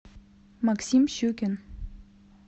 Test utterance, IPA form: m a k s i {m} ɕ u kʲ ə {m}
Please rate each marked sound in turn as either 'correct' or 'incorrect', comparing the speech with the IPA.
correct, incorrect: n

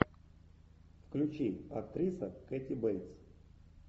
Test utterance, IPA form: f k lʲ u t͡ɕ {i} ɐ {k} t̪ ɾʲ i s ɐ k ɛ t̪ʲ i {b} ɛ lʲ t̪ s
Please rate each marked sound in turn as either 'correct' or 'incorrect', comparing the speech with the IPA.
correct, correct, correct

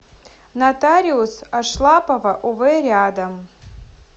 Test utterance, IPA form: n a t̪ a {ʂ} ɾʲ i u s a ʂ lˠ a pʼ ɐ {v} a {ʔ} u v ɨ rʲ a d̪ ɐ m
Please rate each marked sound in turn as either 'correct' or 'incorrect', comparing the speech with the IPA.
incorrect: none, correct, correct

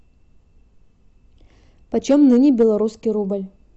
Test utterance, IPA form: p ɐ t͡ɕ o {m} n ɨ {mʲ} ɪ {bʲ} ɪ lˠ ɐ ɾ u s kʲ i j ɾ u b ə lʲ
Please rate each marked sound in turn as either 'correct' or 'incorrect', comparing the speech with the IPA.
correct, incorrect: nʲ, correct

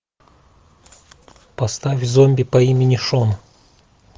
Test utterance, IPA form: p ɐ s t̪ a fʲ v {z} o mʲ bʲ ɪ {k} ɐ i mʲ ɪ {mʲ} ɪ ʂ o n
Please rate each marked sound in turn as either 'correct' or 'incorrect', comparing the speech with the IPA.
correct, incorrect: p, incorrect: nʲ

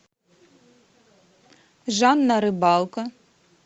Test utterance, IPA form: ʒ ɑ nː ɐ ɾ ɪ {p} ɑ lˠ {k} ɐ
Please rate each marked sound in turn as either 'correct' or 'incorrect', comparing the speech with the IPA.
incorrect: b, correct

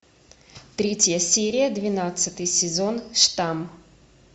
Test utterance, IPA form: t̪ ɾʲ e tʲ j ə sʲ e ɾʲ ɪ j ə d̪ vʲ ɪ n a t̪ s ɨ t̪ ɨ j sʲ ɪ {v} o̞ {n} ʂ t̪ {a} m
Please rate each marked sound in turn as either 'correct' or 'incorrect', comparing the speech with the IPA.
incorrect: z, correct, correct

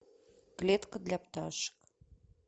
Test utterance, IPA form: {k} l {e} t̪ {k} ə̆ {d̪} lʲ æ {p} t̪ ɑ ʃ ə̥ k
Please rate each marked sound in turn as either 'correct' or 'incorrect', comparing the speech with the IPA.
correct, correct, correct, correct, correct

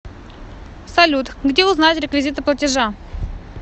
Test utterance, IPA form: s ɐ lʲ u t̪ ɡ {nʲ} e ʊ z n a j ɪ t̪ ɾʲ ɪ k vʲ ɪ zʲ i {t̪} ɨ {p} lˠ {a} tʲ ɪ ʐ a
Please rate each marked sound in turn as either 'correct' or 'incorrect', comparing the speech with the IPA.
incorrect: dʲ, correct, correct, incorrect: ə

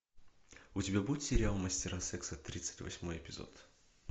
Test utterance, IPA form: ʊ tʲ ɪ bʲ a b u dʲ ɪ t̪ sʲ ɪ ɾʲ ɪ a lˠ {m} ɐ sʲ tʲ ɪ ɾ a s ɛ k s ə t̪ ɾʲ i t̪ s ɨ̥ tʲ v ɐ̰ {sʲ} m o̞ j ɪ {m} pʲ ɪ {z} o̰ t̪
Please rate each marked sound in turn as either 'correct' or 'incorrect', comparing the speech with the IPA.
correct, correct, incorrect: none, correct

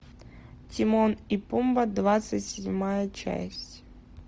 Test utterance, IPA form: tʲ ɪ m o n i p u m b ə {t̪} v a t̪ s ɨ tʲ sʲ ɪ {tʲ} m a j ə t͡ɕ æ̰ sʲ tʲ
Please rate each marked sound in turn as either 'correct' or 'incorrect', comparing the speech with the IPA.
incorrect: d̪, incorrect: dʲ

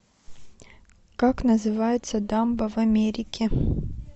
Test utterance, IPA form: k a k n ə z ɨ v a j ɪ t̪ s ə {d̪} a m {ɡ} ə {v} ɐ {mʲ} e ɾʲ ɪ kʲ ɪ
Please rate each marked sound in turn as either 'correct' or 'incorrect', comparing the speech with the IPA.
correct, incorrect: b, correct, correct

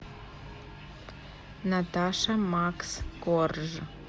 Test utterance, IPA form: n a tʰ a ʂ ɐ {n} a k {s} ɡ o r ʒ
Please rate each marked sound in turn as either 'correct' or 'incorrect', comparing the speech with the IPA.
incorrect: m, correct

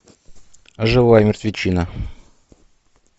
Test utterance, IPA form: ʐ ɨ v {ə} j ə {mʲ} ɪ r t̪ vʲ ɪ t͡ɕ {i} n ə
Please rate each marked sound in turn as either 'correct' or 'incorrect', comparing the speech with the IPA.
incorrect: a, correct, correct

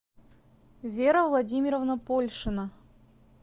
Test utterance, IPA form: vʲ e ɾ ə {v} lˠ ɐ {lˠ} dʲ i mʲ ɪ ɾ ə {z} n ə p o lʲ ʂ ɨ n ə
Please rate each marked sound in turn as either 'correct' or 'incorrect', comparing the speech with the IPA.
correct, incorrect: none, incorrect: v

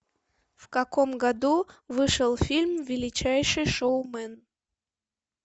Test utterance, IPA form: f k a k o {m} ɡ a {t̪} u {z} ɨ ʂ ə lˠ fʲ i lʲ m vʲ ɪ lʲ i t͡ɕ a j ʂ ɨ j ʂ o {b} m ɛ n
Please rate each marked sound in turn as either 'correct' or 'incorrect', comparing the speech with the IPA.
correct, incorrect: d̪, incorrect: v, incorrect: w

